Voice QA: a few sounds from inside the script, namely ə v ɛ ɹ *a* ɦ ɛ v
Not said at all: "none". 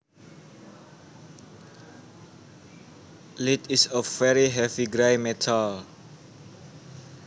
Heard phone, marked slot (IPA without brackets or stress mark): i